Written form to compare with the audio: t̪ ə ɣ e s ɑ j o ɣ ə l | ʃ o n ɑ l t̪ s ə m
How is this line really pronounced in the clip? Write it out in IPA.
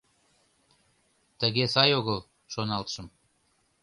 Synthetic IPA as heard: t̪ ə ɣ e s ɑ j o ɣ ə l | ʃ o n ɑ l t̪ ʃ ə m